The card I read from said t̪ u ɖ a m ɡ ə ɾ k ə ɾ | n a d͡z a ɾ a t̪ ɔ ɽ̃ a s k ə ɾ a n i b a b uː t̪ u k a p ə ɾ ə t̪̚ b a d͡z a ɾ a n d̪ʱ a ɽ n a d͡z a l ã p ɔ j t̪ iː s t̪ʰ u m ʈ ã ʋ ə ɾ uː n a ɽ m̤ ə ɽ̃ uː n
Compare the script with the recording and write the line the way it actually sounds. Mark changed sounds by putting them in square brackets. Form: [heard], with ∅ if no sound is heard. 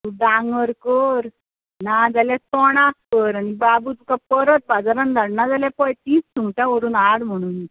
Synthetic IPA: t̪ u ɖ a [ŋ] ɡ ə ɾ k ə ɾ | n a d͡z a [l] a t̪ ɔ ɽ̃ a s k ə ɾ a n i b a b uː t̪ u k a p ə ɾ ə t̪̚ b a d͡z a ɾ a n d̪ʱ a ɽ n a d͡z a l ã p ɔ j t̪ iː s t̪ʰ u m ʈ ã ʋ ə ɾ uː n a ɽ m̤ ə ɽ̃ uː n